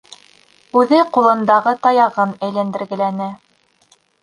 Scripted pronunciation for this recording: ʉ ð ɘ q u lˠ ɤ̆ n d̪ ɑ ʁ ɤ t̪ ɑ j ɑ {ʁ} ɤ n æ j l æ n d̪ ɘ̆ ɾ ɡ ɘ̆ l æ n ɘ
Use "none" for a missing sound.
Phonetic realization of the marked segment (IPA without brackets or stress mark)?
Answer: ʁ